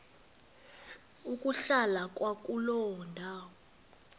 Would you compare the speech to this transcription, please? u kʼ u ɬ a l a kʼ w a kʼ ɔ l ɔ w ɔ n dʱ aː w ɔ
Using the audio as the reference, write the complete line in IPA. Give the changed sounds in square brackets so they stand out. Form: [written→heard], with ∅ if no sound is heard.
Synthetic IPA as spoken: u kʼ u ɬ a l a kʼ w a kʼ [ɔ→u] l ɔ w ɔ n dʱ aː w ɔ

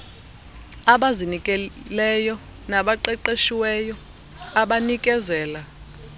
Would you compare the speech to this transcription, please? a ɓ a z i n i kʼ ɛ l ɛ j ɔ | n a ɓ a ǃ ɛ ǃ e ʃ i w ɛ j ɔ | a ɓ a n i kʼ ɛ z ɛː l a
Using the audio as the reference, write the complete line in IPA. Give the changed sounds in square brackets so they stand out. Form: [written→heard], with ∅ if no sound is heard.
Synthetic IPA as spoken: a ɓ a z i n i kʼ ɛ l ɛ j ɔ | n a ɓ a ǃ ɛ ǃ e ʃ i w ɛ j ɔ | a ɓ a n i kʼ ɛ z ɛː l a

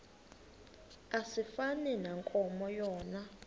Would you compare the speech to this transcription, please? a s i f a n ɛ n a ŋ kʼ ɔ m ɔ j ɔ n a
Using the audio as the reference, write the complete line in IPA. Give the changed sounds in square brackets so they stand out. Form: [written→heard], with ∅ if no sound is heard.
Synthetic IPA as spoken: a s i f a n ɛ n a ŋ kʼ ɔ m ɔ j [ɔ→ɔː] n a

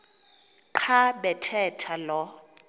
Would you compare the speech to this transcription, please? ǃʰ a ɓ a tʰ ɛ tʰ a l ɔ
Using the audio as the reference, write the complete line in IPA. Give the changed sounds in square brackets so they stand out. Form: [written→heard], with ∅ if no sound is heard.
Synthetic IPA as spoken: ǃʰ a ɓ [a→ɛ] tʰ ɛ tʰ a l ɔ

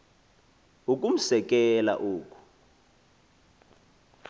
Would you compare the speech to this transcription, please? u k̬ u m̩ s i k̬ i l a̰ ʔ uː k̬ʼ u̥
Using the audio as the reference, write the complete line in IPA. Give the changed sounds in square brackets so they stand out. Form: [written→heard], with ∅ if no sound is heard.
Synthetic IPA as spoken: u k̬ u m̩ s [i→ɛ] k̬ [i→ɛ] l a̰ ʔ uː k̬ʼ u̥

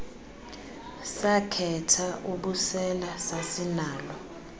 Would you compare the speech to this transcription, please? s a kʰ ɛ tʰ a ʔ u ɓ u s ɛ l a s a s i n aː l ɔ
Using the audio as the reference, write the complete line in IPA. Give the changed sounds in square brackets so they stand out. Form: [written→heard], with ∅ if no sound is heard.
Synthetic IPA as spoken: s a kʰ ɛ tʰ a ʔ u ɓ u s ɛ l a s a s i n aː l ɔ

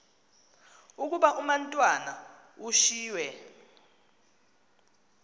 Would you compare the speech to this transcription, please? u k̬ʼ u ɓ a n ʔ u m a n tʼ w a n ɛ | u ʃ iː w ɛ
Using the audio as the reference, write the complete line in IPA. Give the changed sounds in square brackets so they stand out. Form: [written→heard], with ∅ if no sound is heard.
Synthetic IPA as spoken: u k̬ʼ u ɓ a [n→∅] ʔ u m a n tʼ w a n [ɛ→a] | u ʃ iː w ɛ

